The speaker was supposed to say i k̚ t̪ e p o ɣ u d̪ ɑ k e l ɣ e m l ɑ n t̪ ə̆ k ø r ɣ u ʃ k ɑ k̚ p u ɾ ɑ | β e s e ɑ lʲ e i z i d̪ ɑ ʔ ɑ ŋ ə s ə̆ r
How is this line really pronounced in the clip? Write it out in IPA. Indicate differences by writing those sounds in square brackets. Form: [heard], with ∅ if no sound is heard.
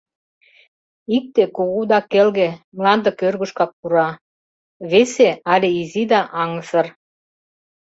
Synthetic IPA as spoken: i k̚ t̪ e [k] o ɣ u d̪ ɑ k e l ɣ e m l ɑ n [d̪] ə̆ k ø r ɣ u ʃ k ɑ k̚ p u ɾ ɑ | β e s e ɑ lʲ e i z i d̪ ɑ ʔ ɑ ŋ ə s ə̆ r